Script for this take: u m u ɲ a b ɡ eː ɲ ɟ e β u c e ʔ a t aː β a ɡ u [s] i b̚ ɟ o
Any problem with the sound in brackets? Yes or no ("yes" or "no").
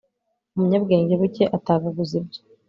yes